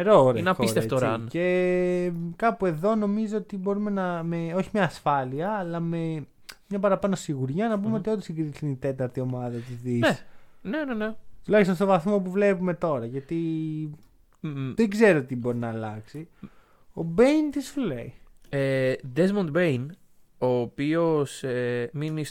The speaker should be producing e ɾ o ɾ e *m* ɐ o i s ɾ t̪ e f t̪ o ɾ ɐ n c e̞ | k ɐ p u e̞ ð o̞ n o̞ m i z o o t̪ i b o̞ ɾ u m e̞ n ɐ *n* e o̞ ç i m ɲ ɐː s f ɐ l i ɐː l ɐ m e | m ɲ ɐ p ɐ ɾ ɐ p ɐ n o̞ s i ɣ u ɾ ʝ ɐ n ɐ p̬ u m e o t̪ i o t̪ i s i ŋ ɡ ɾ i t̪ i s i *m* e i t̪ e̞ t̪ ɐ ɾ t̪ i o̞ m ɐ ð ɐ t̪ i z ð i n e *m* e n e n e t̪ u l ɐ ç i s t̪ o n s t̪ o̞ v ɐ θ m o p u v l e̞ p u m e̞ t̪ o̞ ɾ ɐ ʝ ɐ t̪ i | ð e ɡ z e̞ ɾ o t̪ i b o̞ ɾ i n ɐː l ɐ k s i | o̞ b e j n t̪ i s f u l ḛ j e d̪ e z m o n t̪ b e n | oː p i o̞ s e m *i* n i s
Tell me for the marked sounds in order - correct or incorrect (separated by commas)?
incorrect, incorrect, incorrect, incorrect, correct